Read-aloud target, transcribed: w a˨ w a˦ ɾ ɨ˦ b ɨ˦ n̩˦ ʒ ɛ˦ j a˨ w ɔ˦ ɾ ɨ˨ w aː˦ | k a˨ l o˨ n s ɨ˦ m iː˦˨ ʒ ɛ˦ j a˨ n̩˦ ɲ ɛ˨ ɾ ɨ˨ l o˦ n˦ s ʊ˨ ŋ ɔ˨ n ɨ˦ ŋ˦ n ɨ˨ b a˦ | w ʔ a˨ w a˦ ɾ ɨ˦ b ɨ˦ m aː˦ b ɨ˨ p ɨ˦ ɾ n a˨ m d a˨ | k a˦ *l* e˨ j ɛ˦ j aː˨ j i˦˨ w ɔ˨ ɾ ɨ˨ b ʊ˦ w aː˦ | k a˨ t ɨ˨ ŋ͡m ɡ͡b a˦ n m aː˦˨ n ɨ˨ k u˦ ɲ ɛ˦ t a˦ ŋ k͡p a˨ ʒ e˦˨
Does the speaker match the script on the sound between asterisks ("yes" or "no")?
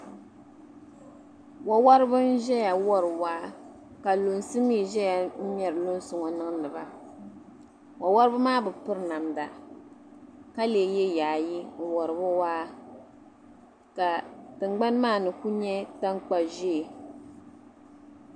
yes